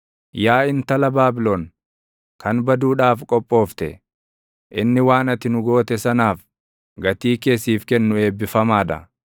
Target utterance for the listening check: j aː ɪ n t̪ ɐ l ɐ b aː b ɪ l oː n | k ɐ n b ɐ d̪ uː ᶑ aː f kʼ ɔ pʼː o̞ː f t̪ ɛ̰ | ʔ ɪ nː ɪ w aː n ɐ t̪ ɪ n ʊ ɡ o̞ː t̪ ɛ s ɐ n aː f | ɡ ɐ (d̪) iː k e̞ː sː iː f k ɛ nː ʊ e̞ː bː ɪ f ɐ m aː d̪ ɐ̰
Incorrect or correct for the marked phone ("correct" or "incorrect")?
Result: incorrect